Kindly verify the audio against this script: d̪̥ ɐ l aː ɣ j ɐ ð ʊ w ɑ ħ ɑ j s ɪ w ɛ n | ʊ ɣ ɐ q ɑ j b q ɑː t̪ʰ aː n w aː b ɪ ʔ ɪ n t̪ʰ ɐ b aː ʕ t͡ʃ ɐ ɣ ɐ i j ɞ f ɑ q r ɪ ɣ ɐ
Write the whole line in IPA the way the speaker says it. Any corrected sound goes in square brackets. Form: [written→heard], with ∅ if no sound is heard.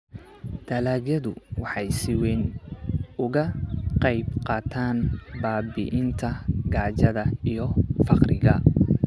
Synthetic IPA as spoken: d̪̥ ɐ l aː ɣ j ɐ ð ʊ w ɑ ħ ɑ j s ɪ w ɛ n | ʊ ɣ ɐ q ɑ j b q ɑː t̪ʰ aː n [w→b] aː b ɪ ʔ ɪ n t̪ʰ ɐ [b→ɡ] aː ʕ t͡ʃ ɐ [ɣ→ð] ɐ i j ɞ f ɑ q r ɪ ɣ ɐ